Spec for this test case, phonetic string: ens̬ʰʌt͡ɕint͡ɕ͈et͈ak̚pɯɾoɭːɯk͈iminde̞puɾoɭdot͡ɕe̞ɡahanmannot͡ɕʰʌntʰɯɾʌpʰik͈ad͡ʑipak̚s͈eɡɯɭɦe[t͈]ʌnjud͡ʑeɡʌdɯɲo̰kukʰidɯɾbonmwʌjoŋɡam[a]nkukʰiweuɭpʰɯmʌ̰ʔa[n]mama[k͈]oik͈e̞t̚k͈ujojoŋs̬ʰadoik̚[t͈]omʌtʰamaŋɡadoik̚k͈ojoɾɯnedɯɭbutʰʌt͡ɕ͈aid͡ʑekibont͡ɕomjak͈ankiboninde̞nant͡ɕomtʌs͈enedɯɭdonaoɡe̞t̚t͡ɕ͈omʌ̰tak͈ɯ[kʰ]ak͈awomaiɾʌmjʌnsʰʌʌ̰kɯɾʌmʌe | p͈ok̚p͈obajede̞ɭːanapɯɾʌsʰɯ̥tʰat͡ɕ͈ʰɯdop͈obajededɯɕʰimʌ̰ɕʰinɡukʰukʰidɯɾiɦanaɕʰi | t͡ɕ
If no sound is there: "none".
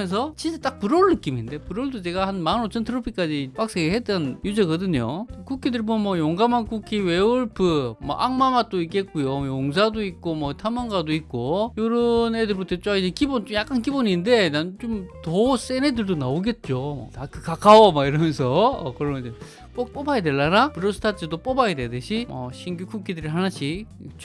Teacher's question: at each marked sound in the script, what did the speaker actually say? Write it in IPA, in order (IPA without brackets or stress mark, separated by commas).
t͈, a, ŋ, t͈, k͈, k